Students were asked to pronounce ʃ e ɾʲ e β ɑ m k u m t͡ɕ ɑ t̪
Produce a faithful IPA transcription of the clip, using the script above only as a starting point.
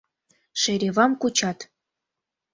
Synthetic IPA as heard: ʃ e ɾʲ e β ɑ m k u t͡ɕ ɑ t̪